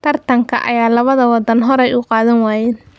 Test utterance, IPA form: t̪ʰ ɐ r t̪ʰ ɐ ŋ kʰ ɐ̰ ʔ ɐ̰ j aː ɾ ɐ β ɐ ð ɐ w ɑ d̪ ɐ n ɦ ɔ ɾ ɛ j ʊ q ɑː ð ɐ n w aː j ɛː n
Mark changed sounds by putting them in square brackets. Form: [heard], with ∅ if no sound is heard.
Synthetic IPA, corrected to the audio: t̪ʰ ɐ r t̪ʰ ɐ ŋ kʰ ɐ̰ ʔ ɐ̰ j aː [l] ɐ β ɐ ð ɐ w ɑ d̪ ɐ n ɦ ɔ ɾ ɛ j ʊ q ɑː ð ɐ n w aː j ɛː n